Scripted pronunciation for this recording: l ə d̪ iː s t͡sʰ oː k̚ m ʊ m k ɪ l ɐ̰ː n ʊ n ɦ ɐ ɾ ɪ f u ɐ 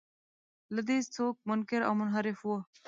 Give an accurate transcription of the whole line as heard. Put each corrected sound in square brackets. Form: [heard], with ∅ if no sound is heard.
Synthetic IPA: l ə d̪ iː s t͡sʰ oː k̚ m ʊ [n] k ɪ [ɾ] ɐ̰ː [m] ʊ n ɦ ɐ ɾ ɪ f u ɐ

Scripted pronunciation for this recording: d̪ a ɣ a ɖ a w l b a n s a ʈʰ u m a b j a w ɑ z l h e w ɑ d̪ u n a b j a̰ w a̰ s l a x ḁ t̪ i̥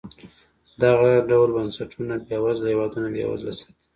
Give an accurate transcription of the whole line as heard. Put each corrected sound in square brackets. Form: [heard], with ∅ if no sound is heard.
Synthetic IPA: d̪ a ɣ a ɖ a w l b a n s a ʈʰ u [n] a b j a w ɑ z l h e w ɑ d̪ u n a b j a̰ w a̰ [z] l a [s] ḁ t̪ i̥

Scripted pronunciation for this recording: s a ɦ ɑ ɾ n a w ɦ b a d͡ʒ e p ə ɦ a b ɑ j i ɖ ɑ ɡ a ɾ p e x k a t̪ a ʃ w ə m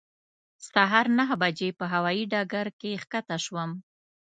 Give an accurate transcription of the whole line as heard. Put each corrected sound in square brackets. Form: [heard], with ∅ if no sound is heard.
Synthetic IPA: s a ɦ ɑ ɾ n a [∅] ɦ b a d͡ʒ e p ə ɦ a [w] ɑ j i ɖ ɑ ɡ a ɾ [k] e x k a t̪ a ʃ w ə m

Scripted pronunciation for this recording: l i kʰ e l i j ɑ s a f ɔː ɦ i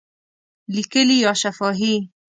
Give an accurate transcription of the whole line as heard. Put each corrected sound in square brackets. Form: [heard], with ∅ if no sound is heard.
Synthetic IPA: l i [k] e l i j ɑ [ʃ] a f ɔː ɦ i

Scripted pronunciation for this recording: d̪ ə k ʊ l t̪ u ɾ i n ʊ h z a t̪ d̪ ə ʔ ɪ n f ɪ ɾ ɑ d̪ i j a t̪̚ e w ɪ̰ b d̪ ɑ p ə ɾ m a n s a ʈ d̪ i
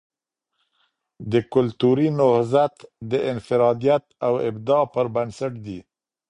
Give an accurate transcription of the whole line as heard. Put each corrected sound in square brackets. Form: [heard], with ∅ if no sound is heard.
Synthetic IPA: d̪ ə k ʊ l t̪ u ɾ i n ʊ h z a t̪ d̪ ə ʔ ɪ n f ɪ ɾ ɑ d̪ i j a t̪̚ [a] w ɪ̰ b d̪ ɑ p ə ɾ [b] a n s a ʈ d̪ i

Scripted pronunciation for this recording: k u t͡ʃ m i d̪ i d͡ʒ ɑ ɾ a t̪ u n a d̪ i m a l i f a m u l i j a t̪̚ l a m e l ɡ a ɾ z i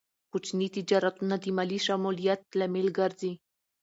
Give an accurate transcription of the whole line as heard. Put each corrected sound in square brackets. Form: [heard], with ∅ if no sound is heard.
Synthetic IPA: k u t͡ʃ [n] i [t̪] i d͡ʒ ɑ ɾ a t̪ u n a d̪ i m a l i [ʃ] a m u l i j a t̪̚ l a m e l ɡ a ɾ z i

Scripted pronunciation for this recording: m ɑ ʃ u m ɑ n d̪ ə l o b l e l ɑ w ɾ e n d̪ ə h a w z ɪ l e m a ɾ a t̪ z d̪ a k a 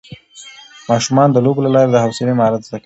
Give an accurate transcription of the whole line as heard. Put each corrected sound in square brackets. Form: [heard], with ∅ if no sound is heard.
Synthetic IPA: m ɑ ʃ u m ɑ n d̪ ə l o b l [a] l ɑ [∅] ɾ e [∅] d̪ ə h a w [s] ɪ l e m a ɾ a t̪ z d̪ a k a

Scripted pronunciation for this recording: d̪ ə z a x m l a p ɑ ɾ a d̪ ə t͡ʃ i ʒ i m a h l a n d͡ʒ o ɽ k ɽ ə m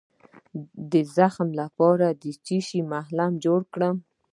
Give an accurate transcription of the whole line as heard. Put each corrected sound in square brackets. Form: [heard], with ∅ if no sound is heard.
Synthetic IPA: d̪ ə z a x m l a p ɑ ɾ a d̪ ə t͡ʃ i [ʃ] i m a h l a [m] d͡ʒ o ɽ k ɽ ə m

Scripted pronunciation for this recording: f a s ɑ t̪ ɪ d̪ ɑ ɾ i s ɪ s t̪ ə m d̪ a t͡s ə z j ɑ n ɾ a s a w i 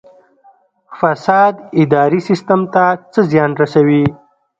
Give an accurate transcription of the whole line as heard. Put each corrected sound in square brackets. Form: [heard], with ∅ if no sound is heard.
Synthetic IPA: f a s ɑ [d̪] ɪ d̪ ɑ ɾ i s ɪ s t̪ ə m [t̪] a t͡s ə z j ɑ n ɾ a s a w i

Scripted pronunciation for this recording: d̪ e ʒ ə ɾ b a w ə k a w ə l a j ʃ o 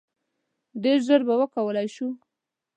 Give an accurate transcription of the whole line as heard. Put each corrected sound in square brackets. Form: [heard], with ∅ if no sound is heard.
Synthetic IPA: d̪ e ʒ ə ɾ b a w ə k a w ə l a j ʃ [u]

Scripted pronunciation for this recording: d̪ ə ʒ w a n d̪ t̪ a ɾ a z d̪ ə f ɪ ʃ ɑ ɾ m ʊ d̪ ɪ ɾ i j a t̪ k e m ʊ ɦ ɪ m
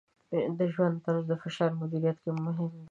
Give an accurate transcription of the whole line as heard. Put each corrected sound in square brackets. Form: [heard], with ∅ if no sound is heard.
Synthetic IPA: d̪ ə ʒ w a n d̪ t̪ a ɾ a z d̪ ə f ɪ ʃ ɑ ɾ m ʊ d̪ [i] ɾ i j a t̪ k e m ʊ ɦ ɪ m

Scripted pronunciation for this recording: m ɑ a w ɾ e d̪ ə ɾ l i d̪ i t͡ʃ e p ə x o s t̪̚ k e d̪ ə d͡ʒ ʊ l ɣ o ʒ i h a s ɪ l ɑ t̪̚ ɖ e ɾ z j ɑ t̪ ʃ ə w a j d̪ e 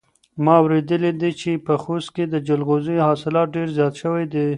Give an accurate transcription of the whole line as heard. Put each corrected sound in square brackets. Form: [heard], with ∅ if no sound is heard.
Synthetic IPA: m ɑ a w ɾ e d̪ ə [∅] l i d̪ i t͡ʃ e p ə x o s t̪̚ k e d̪ ə d͡ʒ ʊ l ɣ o [z] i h [ɑ] s ɪ l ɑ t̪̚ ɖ e ɾ z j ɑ t̪ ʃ ə w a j d̪ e

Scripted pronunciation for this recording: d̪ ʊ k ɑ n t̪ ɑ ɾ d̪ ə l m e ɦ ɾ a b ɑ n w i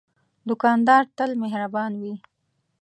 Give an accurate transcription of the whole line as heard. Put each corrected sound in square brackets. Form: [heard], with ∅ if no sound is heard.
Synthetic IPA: d̪ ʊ k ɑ n [d̪] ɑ ɾ [t̪] ə l m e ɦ ɾ a b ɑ n w i

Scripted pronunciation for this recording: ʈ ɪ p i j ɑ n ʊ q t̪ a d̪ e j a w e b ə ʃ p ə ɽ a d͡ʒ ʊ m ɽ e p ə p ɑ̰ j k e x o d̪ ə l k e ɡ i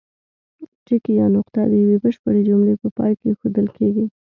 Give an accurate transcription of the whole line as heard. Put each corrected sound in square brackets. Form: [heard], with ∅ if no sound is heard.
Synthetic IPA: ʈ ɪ [k] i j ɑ n ʊ q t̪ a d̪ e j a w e b ə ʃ p ə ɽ [e] d͡ʒ ʊ m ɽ e p ə p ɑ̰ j k e x o d̪ ə l k e ɡ i

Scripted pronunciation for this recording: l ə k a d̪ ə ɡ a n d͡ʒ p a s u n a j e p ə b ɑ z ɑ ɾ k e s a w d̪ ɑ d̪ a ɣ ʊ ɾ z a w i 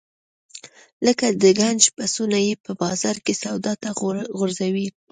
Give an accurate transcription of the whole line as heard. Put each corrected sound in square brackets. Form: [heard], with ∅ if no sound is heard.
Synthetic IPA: l ə k a d̪ ə ɡ a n d͡ʒ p a s u n a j e p ə b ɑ z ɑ ɾ k e s a w d̪ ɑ [t̪] a ɣ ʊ ɾ z a w i

